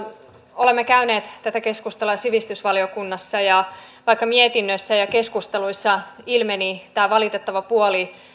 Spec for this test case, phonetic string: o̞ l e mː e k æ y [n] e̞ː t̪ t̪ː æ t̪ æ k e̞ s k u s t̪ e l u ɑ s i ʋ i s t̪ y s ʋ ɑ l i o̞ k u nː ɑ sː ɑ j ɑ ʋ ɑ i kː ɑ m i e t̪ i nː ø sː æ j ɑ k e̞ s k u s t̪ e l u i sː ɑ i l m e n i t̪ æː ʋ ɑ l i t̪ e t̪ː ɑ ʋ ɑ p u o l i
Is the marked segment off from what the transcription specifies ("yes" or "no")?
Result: no